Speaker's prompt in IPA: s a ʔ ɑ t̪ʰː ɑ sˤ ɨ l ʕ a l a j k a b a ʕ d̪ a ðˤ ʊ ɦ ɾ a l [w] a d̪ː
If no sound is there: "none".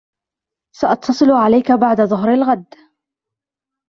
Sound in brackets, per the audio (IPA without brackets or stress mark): ɣ